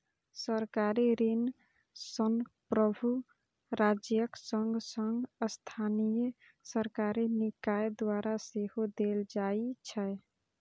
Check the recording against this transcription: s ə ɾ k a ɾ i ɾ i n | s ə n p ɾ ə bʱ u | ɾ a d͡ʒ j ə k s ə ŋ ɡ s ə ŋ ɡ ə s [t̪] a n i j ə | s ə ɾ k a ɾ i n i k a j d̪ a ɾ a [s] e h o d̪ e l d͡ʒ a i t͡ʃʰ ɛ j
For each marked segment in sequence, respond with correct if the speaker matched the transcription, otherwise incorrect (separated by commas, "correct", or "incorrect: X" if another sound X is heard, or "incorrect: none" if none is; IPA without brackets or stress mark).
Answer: incorrect: t̪ʰ, correct